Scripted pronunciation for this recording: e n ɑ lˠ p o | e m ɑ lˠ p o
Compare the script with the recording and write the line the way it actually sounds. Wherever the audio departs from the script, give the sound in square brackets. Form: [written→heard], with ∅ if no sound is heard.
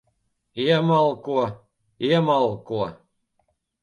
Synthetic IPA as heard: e [n→m] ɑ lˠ [p→k] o | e m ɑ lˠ [p→k] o